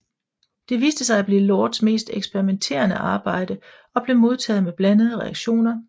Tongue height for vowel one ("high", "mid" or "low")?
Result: mid